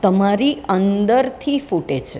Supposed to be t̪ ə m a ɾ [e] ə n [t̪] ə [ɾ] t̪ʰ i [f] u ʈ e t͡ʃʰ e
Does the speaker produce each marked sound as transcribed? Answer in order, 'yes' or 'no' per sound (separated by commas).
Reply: no, no, yes, yes